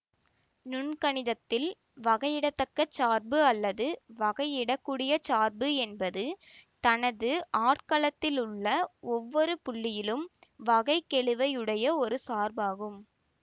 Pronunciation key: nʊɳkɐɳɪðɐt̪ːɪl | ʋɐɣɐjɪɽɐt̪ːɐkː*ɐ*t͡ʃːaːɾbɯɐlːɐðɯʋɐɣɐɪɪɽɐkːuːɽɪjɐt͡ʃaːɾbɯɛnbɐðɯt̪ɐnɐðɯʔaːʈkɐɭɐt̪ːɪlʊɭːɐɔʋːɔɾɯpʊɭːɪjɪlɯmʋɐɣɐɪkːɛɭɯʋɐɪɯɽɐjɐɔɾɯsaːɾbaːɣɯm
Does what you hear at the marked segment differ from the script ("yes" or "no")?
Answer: no